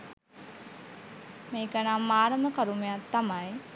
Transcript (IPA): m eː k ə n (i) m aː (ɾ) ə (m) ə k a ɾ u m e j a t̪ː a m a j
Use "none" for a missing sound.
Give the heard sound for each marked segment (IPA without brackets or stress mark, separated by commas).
a, ɾ, m